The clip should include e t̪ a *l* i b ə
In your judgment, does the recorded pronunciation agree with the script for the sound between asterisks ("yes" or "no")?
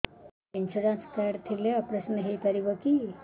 no